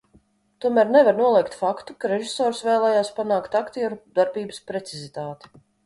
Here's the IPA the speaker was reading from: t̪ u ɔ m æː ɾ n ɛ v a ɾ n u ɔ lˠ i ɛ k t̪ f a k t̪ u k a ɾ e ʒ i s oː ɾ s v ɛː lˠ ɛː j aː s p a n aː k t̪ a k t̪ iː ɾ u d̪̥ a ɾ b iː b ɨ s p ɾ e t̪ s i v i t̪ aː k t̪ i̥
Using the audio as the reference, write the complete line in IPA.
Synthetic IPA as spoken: t̪ u ɔ m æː ɾ n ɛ v a ɾ n u ɔ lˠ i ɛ k t̪ f a k t̪ u k a ɾ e ʒ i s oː ɾ s v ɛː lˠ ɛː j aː s p a n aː k t̪ a k t̪ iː ɾ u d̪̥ a ɾ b iː b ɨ s p ɾ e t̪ s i z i t̪ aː t̪ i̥

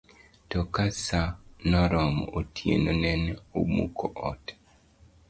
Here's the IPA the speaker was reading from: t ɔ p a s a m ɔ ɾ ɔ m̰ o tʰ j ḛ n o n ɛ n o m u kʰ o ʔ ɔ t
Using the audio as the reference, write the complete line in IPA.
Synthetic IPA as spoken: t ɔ k a s a n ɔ ɾ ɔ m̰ o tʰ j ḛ n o n ɛ n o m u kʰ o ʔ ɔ t

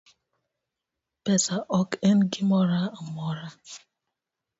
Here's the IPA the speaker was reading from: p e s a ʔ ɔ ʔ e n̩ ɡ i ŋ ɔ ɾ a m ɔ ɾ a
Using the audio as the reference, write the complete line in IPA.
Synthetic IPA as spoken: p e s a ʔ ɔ k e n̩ ɡ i m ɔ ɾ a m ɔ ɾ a

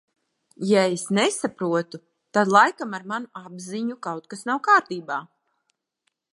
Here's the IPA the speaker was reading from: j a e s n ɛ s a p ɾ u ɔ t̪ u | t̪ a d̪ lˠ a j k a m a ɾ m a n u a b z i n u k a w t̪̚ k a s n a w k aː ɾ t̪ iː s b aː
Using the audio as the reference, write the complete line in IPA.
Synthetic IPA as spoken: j a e s n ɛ s a p ɾ u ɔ t̪ u | t̪ a d̪ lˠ a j k a m a ɾ m a n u a b z i ɲ u k a w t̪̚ k a s n a w k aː ɾ t̪ iː b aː

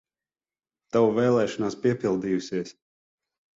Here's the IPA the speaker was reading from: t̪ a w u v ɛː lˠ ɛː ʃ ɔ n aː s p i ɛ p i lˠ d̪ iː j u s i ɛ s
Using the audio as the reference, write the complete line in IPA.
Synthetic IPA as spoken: t̪ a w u v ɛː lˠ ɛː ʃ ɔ n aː s p i ɛ p i lˠ d̪ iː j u s i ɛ s

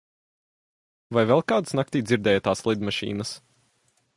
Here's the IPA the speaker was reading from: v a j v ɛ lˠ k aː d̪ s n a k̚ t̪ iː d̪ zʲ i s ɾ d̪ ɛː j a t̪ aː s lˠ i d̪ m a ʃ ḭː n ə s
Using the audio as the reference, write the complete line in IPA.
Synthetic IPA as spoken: v a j v ɛ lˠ k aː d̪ s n a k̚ t̪ iː d̪ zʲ i ɾ d̪ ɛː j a t̪ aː s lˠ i d̪ m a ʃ ḭː n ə s

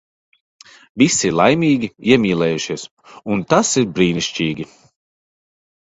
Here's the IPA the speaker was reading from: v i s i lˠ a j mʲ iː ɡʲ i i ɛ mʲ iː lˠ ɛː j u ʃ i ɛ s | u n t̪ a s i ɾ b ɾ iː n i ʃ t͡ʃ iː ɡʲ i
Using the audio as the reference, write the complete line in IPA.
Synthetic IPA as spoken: v i s i lˠ a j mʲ iː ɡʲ i i ɛ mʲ iː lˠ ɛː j u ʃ i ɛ s | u n t̪ a s i ɾ b ɾ iː n i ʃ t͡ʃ iː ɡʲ i

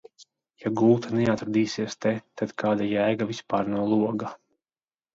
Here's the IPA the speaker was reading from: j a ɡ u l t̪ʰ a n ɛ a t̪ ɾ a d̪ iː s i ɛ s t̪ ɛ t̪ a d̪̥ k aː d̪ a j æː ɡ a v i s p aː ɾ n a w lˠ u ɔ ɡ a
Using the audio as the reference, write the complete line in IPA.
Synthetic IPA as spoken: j a ɡ u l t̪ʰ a n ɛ a t̪ ɾ a d̪ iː s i ɛ s t̪ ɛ t̪ a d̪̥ k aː d̪ a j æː ɡ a v i s p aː ɾ n a w lˠ u ɔ ɡ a

